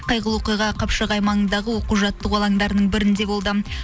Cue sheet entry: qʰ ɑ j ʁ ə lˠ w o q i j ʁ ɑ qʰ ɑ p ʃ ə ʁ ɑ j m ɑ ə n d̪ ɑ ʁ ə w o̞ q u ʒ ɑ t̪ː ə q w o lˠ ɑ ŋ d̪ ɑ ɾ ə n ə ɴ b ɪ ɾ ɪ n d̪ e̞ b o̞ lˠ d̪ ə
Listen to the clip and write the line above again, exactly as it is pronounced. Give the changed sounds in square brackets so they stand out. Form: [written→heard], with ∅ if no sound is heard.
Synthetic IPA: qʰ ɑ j ʁ ə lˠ w o q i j ʁ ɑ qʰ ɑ p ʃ ə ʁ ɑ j m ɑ ə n d̪ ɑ ʁ ə w o̞ q u ʒ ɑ t̪ː ə q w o lˠ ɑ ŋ d̪ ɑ ɾ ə n ə ɴ b ɪ ɾ ɪ n d̪ e̞ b o̞ lˠ d̪ ə